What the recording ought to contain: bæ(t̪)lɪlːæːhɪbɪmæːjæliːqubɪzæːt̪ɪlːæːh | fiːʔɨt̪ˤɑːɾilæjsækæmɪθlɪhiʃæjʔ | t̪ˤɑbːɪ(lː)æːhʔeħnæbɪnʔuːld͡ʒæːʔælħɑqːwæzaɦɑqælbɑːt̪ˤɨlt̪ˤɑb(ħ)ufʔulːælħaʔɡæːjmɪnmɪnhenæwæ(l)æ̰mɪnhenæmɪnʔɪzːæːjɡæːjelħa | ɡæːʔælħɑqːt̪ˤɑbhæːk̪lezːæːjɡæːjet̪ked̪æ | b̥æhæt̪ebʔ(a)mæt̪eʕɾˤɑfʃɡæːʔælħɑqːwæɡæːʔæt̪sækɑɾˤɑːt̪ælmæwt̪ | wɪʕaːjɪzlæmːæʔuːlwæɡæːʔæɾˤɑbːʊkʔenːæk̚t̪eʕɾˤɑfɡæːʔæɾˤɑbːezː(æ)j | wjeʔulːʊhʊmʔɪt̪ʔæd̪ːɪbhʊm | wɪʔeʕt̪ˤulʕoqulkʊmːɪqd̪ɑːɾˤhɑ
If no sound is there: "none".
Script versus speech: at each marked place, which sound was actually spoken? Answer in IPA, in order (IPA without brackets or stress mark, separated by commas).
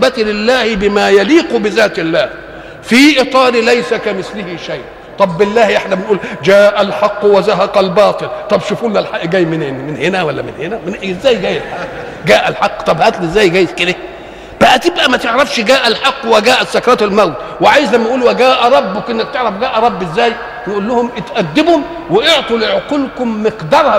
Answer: t̪, lː, ʃ, lː, æ, æː